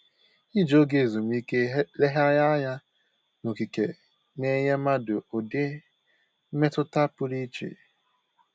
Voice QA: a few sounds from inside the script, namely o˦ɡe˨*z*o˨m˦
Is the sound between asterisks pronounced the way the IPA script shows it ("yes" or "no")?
yes